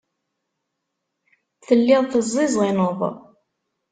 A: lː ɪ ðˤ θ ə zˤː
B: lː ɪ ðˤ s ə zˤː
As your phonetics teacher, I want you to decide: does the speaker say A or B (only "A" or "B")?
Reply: A